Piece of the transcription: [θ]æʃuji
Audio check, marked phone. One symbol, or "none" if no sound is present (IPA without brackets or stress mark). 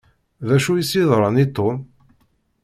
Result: ð